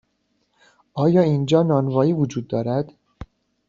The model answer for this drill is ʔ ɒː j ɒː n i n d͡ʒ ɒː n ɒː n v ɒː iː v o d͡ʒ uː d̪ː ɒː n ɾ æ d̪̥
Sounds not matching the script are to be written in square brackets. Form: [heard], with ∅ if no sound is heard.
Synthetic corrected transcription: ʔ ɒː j ɒː [∅] i n d͡ʒ ɒː n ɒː n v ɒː iː v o d͡ʒ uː d̪ː ɒː [∅] ɾ æ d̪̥